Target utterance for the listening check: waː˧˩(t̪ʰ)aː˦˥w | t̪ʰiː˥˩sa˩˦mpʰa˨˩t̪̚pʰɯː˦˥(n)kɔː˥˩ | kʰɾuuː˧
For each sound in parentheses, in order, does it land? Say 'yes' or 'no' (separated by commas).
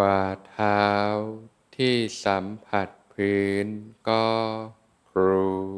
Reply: yes, yes